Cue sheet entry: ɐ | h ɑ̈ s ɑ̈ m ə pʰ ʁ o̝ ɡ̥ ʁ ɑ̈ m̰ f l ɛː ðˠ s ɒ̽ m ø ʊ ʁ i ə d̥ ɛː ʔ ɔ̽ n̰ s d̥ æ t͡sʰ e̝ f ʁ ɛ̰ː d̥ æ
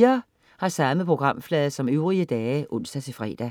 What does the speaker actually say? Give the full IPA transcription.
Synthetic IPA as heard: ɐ | h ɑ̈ s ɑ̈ m ə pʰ ʁ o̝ ɡ̥ ʁ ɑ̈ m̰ f l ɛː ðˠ s ɒ̽ m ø ʊ ʁ i ə d̥ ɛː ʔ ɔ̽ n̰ s d̥ æ t͡sʰ e̝ f ʁ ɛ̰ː d̥ æ